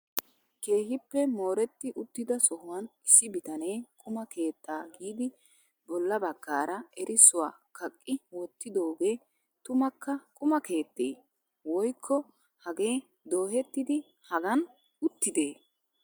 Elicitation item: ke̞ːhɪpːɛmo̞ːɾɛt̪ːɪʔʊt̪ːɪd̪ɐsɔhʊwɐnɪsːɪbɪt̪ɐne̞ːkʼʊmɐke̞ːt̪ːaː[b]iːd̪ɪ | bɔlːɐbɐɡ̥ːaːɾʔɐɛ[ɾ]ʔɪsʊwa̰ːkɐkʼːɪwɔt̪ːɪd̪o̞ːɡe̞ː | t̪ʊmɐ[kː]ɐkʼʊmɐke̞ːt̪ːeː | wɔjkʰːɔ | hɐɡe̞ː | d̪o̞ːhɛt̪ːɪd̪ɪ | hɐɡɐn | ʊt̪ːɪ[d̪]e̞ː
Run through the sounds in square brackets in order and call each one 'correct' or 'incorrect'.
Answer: incorrect, correct, correct, correct

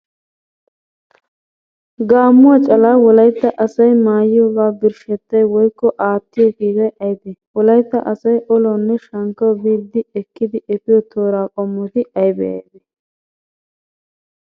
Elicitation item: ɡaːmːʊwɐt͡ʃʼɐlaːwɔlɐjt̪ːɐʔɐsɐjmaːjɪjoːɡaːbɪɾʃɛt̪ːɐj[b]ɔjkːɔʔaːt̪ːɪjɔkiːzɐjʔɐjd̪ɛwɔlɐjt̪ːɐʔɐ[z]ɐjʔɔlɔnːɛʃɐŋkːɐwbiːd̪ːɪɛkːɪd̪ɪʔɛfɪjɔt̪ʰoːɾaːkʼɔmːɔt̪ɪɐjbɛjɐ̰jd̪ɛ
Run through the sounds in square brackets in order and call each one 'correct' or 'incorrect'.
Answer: incorrect, incorrect

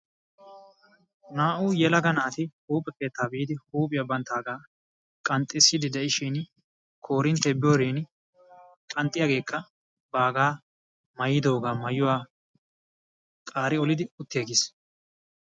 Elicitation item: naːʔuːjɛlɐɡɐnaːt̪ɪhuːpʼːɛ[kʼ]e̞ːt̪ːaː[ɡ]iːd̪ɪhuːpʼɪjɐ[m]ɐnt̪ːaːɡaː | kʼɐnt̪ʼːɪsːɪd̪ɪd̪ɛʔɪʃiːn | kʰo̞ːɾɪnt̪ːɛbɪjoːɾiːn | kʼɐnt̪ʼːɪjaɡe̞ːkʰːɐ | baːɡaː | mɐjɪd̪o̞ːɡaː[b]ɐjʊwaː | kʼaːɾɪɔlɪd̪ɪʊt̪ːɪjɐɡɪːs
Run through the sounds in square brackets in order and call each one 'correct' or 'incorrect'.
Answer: incorrect, incorrect, incorrect, incorrect

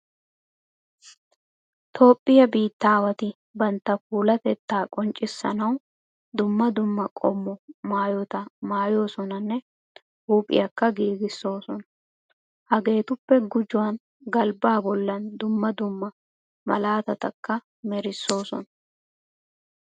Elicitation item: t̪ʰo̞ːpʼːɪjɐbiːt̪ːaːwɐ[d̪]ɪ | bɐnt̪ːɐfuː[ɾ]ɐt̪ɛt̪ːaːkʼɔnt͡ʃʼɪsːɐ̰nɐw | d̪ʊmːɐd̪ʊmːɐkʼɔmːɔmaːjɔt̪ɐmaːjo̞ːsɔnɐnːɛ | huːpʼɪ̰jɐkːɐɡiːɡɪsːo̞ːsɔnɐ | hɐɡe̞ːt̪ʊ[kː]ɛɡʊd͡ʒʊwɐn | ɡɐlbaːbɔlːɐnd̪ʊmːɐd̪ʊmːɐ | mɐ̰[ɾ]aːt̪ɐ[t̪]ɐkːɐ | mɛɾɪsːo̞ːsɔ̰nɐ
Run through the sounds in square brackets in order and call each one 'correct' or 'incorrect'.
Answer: incorrect, incorrect, incorrect, incorrect, correct

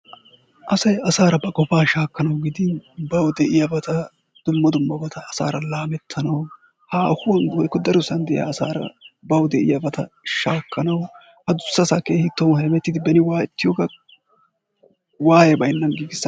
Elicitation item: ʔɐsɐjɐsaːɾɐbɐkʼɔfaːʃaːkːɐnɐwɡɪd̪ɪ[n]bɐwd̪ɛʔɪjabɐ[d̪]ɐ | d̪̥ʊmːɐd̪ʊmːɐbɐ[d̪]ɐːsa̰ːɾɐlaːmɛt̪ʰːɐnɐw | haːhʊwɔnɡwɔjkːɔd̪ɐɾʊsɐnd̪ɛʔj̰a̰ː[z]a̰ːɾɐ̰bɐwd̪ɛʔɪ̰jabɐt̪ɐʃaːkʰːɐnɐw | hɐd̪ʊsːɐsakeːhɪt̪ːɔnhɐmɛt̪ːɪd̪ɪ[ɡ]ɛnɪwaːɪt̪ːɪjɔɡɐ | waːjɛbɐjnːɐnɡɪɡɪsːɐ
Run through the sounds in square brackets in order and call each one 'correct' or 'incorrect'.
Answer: correct, incorrect, incorrect, incorrect, incorrect

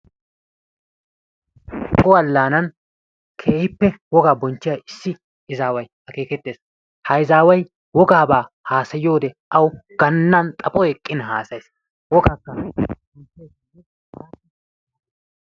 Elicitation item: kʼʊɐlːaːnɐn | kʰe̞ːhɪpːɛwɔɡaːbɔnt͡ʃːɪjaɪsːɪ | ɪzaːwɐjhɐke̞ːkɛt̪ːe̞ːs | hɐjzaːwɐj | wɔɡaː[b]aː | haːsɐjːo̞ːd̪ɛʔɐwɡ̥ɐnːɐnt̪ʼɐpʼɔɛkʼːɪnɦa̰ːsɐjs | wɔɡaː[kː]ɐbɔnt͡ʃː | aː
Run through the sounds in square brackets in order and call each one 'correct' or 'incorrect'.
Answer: correct, correct

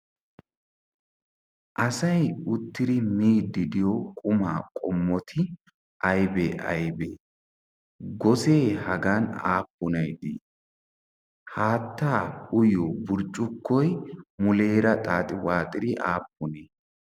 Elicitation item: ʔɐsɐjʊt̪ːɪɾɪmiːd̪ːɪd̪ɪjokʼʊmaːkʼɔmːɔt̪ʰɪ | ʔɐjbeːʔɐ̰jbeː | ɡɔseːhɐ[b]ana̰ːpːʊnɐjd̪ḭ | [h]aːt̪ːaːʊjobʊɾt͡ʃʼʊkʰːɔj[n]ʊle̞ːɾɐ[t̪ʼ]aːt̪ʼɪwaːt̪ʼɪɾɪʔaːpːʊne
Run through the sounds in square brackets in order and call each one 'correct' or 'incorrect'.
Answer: incorrect, correct, incorrect, correct

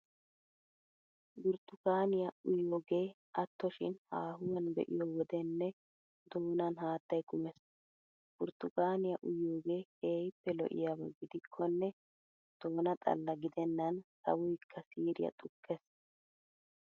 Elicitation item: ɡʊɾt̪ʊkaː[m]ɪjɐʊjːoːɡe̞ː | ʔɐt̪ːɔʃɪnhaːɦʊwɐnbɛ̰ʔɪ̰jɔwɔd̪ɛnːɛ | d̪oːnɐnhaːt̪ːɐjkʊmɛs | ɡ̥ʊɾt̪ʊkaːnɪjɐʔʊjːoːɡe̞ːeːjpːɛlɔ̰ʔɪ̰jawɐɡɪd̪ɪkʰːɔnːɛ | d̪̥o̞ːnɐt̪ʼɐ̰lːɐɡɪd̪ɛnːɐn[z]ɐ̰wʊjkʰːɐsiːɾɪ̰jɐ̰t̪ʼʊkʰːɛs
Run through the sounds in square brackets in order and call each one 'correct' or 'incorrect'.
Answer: incorrect, incorrect

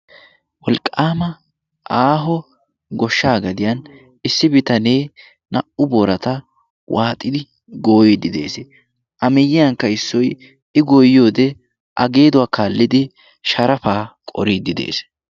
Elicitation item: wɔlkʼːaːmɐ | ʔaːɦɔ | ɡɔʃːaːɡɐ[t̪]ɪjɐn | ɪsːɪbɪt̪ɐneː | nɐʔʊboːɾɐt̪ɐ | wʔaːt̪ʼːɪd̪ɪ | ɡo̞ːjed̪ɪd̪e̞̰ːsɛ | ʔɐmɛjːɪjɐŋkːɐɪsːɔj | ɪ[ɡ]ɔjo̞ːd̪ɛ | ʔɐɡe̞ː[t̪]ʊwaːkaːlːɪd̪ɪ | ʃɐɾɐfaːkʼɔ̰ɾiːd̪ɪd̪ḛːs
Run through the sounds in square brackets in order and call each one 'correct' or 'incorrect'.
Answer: incorrect, correct, incorrect

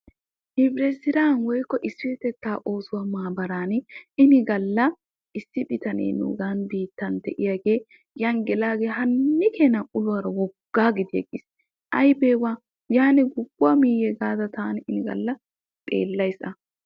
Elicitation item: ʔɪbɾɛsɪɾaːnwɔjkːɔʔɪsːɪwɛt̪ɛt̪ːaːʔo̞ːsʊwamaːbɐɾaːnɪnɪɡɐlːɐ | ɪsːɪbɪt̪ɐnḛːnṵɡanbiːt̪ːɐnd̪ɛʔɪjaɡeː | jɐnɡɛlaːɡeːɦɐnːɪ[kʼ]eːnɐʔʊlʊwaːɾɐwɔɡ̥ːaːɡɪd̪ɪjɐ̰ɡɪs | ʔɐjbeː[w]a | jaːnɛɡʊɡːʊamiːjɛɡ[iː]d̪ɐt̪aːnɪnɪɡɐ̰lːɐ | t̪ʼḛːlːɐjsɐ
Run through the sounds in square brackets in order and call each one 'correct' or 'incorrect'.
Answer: incorrect, correct, incorrect

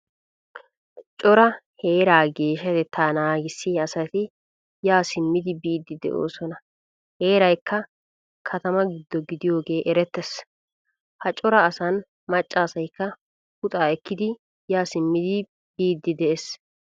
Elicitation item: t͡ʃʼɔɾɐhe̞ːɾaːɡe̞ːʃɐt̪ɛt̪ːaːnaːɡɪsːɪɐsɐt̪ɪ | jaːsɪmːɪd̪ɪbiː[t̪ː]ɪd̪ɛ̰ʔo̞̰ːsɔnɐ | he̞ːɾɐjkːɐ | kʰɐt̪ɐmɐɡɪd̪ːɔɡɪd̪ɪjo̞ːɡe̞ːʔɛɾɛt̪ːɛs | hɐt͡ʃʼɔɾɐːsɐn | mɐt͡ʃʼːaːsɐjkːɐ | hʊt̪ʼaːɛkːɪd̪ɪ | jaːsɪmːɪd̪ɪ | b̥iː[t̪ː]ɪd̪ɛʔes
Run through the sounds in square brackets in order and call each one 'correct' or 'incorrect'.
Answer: incorrect, incorrect

